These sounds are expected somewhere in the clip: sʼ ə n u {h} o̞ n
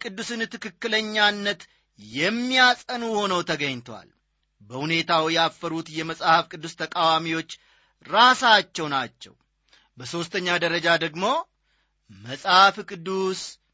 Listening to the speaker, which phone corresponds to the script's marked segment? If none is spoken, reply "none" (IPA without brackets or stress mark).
h